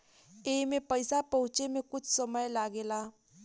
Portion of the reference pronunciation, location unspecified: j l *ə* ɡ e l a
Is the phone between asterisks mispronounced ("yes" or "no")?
yes